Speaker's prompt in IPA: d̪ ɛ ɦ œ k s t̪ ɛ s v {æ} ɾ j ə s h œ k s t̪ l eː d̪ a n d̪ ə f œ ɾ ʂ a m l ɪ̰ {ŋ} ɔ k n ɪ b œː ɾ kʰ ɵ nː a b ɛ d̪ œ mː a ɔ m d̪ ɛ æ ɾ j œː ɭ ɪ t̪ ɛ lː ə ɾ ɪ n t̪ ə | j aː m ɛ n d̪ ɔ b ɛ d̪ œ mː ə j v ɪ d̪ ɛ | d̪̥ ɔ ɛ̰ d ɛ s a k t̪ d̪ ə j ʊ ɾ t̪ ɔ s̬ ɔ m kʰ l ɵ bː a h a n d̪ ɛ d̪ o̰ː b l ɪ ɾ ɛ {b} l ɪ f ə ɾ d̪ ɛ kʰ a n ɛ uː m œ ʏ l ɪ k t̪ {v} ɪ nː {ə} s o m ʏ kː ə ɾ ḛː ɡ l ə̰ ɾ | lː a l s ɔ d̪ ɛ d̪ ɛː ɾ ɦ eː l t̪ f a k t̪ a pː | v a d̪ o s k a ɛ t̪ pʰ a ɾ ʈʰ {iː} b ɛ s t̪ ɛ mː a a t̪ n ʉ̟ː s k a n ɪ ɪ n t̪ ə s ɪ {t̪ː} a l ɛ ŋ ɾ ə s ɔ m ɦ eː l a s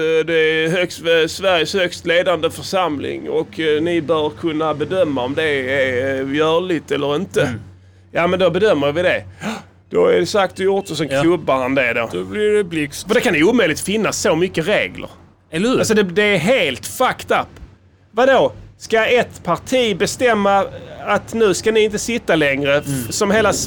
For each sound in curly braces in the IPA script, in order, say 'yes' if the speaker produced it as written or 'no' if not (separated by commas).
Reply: yes, yes, yes, no, no, yes, yes